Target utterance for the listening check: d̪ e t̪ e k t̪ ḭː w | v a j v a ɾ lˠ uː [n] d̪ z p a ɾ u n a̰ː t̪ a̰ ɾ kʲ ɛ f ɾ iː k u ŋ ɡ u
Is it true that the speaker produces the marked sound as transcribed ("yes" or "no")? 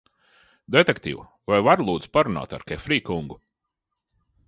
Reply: no